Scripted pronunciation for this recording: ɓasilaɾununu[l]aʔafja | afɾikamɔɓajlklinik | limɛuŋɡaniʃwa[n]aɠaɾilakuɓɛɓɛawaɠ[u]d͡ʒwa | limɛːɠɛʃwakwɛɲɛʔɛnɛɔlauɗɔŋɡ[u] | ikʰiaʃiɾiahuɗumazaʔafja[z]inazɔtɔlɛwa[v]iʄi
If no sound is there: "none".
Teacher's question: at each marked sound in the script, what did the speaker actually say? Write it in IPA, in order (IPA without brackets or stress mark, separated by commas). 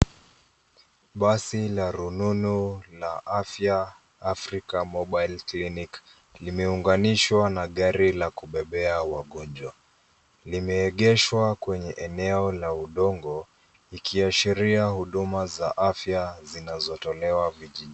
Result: l, n, ɔ, ɔ, z, v